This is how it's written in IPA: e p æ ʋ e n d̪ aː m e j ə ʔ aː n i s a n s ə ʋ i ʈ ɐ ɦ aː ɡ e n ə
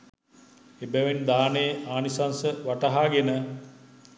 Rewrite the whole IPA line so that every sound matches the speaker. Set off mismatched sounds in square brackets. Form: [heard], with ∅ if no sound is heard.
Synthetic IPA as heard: e [b] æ ʋ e n d̪ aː [n] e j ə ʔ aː n i s a n s ə ʋ [a] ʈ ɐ ɦ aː ɡ e n ə